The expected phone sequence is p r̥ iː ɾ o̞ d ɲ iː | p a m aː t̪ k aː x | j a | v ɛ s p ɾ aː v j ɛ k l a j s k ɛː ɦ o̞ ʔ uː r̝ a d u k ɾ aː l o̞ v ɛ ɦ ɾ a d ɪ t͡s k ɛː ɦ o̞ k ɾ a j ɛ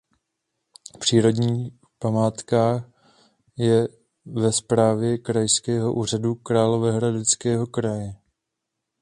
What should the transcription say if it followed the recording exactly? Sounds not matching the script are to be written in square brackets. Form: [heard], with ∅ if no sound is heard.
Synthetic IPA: p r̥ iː ɾ o̞ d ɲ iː | p a m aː t̪ k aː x | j [ɛ] | v ɛ s p ɾ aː v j ɛ k [ɾ] a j s k ɛː ɦ o̞ ʔ uː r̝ a d u k ɾ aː l o̞ v ɛ ɦ ɾ a d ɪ t͡s k ɛː ɦ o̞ k ɾ a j ɛ